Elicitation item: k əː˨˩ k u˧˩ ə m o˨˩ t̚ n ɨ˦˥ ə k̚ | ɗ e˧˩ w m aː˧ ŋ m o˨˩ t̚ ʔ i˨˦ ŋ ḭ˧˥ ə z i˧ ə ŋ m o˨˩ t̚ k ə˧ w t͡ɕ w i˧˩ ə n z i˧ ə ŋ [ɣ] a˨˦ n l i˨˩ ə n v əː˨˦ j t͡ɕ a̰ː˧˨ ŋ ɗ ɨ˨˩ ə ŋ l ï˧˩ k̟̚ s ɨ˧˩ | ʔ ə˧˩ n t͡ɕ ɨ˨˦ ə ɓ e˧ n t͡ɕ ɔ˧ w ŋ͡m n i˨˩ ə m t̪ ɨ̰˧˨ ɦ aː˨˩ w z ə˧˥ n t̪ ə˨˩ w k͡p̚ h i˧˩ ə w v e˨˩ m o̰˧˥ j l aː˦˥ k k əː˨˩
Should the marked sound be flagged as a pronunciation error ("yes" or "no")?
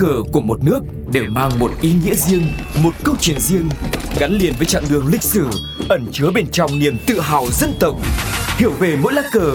no